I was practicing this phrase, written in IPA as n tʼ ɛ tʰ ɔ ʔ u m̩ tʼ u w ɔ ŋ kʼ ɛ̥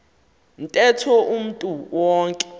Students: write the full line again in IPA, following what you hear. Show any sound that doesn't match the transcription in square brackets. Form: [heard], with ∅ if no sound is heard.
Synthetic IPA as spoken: n tʼ ɛ tʰ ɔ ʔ u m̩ tʼ u w [ɔː] ŋ kʼ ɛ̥